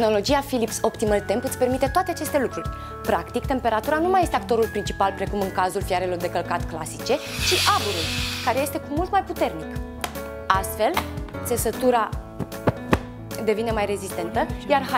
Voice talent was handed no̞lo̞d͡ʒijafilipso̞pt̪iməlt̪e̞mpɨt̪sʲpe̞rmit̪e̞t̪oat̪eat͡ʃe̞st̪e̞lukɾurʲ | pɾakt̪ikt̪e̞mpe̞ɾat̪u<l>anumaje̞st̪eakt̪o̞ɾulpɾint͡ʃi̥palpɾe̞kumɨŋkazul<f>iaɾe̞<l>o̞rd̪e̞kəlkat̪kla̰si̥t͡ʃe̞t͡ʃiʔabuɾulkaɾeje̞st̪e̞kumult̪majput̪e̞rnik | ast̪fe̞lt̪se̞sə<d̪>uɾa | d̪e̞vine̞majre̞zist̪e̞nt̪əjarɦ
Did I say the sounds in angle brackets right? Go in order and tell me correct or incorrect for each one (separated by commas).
incorrect, correct, correct, incorrect